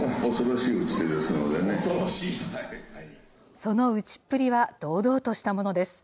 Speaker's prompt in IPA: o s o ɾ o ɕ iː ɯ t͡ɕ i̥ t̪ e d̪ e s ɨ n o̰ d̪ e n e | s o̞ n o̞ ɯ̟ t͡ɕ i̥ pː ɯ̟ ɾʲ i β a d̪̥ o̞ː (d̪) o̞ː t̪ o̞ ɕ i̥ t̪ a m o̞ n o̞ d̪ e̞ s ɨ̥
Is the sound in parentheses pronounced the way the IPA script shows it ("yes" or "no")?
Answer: yes